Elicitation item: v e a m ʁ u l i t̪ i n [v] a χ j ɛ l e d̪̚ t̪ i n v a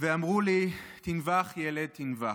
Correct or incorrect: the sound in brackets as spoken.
correct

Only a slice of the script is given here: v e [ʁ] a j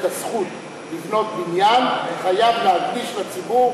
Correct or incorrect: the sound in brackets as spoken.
incorrect: χ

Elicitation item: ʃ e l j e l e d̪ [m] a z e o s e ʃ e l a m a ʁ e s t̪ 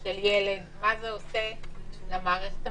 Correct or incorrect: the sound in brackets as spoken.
correct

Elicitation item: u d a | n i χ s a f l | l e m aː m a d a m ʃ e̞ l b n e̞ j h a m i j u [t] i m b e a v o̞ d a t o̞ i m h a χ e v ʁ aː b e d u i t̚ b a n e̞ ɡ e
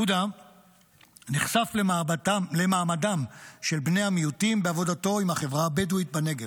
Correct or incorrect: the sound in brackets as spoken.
correct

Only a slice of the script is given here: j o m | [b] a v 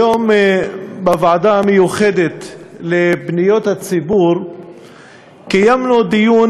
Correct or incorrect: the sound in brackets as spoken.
correct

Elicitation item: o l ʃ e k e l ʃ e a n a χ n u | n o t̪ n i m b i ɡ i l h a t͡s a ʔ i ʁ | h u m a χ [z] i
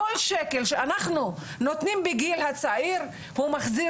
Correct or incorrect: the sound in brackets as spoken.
correct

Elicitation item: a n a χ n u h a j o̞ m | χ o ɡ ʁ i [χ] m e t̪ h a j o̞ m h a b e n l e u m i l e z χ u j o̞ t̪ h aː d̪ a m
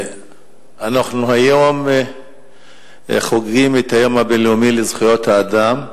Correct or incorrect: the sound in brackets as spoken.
incorrect: none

